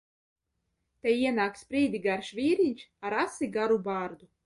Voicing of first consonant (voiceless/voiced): voiceless